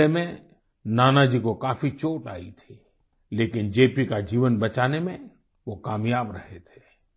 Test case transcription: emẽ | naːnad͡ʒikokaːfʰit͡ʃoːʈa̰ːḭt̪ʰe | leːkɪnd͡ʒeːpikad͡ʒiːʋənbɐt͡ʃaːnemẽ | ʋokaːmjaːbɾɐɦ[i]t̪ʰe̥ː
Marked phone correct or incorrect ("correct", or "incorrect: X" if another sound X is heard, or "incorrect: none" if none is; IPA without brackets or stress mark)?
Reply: incorrect: e